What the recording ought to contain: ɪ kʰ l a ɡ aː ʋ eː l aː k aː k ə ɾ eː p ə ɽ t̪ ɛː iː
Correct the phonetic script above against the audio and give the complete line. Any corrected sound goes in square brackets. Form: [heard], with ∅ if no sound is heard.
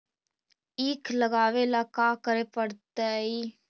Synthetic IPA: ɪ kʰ l [ə] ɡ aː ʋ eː l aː k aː k ə ɾ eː p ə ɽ t̪ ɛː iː